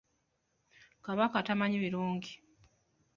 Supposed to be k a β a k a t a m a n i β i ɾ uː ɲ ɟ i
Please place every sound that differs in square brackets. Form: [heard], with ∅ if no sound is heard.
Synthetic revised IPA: k a β a k a t a m a [ɲ] i β i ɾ uː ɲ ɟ i